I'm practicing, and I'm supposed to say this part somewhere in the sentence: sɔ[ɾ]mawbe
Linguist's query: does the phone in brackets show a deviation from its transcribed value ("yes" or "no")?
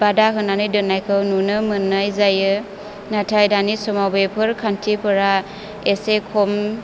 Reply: yes